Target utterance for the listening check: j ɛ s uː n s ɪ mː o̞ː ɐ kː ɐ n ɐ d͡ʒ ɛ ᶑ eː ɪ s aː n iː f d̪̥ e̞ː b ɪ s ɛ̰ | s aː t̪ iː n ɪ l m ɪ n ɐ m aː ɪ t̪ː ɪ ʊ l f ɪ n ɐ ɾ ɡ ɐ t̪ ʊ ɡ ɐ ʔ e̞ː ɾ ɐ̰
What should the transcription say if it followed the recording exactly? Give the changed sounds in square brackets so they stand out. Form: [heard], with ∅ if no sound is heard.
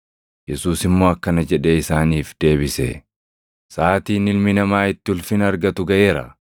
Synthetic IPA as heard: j ɛ s uː [∅] s ɪ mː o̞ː ɐ kː ɐ n ɐ d͡ʒ ɛ ᶑ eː ɪ s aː n iː f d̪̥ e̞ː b ɪ s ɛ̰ | s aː t̪ iː n ɪ l m ɪ n ɐ m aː ɪ t̪ː ɪ ʊ l f ɪ n ɐ ɾ ɡ ɐ t̪ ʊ ɡ ɐ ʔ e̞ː ɾ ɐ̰